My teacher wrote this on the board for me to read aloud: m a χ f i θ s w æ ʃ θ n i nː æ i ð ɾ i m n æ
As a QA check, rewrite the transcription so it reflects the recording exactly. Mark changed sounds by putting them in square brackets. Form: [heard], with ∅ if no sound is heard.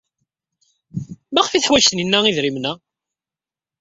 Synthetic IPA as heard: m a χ f i θ [ħ] w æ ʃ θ n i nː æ i ð ɾ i m n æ